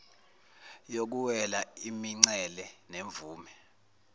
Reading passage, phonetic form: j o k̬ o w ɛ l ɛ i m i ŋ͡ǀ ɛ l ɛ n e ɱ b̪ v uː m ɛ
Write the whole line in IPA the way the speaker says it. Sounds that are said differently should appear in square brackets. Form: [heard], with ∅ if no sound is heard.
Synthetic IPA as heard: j o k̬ [u] w ɛ l [a] i m i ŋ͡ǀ ɛ l ɛ n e ɱ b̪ v uː m ɛ